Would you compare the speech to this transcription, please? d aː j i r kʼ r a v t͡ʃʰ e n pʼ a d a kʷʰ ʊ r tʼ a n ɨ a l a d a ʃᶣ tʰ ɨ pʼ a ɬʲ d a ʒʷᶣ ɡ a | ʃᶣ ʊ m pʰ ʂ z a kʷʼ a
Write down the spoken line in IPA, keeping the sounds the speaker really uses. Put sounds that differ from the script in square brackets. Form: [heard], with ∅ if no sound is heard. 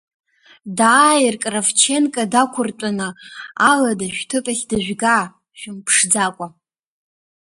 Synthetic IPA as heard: d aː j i r kʼ r a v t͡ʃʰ e n [kʼ] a d a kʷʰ ʊ r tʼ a n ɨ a l a d a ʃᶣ tʰ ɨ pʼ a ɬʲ d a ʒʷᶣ ɡ a | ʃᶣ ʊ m pʰ ʂ [d͡z] a kʷʼ a